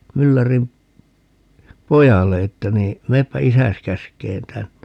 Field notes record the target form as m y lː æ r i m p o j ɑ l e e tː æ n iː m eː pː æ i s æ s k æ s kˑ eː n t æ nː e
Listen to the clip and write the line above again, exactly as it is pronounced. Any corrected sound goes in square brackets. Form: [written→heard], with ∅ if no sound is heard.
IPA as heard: m y lː æ r i m p o j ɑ [l→lː] e e tː æ n iː m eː pː æ i s æ s k æ s kˑ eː n t æ nː e